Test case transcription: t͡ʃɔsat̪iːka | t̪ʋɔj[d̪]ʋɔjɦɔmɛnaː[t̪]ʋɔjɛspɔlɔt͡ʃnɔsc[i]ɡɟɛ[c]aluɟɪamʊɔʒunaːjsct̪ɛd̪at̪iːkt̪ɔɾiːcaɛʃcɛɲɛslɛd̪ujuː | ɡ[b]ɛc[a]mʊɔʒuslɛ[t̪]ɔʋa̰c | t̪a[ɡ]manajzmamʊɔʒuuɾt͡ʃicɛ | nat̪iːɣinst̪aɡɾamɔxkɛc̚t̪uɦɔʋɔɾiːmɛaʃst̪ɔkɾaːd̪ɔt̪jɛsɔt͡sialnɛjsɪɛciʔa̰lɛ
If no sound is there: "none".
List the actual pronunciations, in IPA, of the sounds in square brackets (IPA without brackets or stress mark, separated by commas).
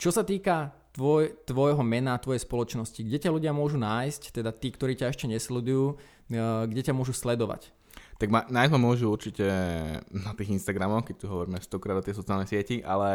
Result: t̪, t̪, i, c, ɟ, a, d̪, ɡ